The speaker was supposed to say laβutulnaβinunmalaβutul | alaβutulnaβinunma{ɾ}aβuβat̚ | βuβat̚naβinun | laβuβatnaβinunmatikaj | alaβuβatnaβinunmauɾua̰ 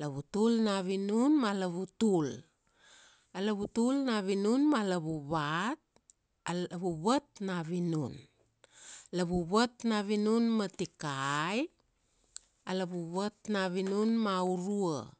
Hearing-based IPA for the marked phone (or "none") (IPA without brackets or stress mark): l